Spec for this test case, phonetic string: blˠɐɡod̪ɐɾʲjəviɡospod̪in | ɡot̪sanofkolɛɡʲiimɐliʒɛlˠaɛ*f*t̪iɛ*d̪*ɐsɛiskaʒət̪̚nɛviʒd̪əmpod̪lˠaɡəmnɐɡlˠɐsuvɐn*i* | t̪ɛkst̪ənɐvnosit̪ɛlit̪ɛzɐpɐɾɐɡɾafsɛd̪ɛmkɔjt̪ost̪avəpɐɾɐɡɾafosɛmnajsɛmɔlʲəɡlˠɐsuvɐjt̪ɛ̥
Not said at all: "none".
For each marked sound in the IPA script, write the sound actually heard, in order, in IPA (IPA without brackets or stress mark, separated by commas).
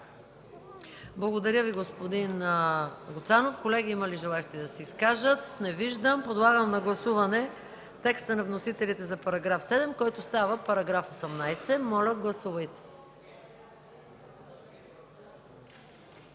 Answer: ʃ, d̪, ɛ